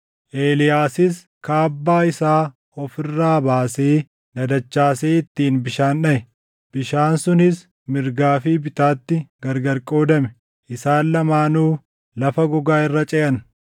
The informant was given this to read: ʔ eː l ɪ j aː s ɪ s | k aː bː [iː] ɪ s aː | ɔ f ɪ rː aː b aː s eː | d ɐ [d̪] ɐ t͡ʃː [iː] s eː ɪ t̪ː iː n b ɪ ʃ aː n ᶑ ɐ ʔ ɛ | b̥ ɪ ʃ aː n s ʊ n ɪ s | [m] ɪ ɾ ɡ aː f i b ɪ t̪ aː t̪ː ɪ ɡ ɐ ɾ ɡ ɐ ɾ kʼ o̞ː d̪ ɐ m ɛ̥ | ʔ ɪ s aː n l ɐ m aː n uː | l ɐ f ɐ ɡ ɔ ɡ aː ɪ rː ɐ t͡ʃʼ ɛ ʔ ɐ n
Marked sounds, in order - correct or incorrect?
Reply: incorrect: aː, correct, incorrect: aː, correct

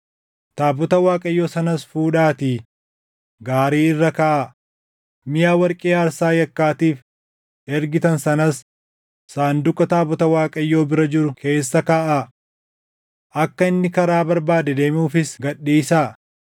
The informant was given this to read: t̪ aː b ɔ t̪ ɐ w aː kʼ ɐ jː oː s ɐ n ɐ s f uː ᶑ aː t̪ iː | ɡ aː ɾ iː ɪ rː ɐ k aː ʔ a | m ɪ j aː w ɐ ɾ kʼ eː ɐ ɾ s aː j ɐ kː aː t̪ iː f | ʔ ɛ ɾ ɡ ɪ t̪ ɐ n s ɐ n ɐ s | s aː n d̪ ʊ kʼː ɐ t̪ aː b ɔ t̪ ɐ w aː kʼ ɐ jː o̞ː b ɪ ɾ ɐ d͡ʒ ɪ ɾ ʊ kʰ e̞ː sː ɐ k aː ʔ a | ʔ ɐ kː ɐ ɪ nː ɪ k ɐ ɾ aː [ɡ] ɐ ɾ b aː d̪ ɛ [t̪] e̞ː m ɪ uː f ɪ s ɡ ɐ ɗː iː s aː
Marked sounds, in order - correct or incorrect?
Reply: incorrect: b, incorrect: d̪

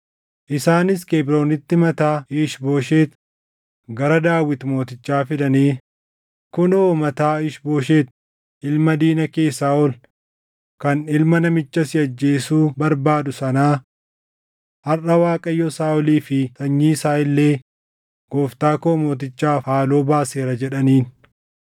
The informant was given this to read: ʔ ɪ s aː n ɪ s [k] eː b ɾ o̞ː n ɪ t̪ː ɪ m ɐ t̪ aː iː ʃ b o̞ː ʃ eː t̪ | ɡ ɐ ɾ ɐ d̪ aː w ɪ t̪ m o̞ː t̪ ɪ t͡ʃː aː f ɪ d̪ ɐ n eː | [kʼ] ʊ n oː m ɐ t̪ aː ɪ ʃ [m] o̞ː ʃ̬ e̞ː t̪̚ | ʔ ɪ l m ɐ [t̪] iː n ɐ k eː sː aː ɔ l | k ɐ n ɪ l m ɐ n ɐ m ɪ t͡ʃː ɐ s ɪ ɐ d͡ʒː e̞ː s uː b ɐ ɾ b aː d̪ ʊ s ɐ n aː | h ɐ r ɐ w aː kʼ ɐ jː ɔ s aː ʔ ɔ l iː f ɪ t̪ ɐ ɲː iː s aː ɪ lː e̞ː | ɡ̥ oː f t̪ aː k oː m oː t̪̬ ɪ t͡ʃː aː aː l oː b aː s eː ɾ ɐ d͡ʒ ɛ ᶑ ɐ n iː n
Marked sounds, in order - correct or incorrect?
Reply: correct, incorrect: k, incorrect: b, incorrect: d̪

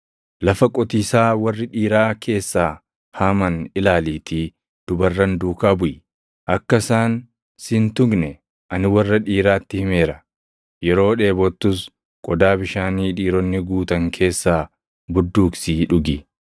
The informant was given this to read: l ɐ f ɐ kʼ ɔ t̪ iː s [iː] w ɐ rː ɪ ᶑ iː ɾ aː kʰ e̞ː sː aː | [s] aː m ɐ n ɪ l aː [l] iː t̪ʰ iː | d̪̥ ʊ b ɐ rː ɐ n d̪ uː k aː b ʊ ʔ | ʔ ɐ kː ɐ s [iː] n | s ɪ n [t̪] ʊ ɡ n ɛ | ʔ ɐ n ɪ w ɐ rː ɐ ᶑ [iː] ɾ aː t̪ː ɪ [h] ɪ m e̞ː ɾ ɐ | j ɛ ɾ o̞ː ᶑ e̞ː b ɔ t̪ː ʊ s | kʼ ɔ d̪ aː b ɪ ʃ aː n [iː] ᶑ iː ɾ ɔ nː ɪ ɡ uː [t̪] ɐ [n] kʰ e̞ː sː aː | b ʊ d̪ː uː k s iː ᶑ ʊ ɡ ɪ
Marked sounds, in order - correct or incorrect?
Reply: incorrect: aː, incorrect: h, correct, incorrect: aː, correct, correct, correct, correct, correct, incorrect: ŋ

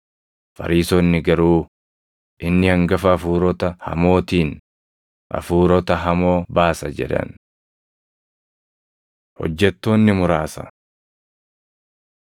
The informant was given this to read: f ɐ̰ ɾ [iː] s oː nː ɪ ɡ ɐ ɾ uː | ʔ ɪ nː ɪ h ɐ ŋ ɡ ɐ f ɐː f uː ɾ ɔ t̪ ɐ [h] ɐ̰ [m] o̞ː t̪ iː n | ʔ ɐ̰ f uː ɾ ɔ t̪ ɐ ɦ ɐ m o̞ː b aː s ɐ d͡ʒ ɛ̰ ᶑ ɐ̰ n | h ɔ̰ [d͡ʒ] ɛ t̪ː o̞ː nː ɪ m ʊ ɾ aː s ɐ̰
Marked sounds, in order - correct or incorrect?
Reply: correct, correct, correct, incorrect: d͡ʒː

